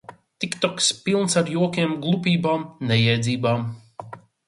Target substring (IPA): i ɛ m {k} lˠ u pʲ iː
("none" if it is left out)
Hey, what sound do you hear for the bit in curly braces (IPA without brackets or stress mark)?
ɡ